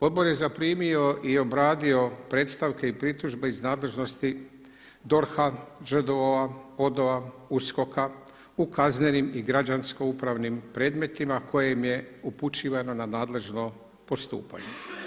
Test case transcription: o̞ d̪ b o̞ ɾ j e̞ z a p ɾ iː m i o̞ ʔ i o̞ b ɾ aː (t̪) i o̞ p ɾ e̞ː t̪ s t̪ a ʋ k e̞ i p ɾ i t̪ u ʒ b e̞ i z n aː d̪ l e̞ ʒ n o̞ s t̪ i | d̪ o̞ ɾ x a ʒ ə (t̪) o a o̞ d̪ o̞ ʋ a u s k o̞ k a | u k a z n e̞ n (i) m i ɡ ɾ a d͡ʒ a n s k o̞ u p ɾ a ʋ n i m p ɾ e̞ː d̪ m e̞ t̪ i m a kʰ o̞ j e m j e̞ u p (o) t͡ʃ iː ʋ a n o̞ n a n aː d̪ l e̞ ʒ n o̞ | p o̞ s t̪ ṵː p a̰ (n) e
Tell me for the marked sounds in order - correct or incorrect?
incorrect, incorrect, correct, incorrect, incorrect

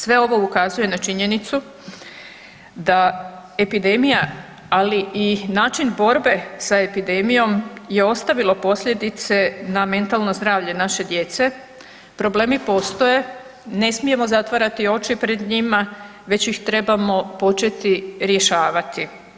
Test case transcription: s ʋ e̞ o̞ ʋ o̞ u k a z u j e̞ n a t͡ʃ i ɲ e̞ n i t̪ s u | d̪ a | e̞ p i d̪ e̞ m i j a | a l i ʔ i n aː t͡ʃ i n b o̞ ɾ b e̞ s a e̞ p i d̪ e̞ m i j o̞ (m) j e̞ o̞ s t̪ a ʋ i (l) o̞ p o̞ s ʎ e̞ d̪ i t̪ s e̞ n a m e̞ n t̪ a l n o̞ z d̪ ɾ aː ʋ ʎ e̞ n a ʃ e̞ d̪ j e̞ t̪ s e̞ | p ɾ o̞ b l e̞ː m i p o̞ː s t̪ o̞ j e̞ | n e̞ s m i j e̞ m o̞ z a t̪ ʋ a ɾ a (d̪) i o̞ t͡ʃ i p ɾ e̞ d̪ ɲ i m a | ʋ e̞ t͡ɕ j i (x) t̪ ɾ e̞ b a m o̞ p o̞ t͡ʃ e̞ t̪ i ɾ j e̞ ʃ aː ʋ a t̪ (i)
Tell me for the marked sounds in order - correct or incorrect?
correct, correct, incorrect, correct, correct

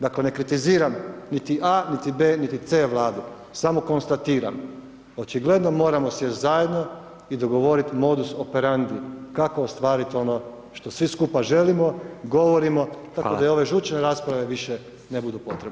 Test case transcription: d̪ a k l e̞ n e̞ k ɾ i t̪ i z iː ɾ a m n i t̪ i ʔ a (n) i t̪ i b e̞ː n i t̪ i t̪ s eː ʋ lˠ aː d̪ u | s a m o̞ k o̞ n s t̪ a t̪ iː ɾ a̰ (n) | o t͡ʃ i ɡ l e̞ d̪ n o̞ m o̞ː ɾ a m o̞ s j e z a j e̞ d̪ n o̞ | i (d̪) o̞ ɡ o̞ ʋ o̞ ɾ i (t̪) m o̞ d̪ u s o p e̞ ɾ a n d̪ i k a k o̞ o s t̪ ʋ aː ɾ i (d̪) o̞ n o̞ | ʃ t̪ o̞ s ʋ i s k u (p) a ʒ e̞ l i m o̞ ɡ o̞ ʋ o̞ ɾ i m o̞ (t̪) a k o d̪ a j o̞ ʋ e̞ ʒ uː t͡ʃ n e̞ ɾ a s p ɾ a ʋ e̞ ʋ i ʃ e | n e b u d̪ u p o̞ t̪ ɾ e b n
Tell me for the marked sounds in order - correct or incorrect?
correct, incorrect, correct, correct, incorrect, correct, correct

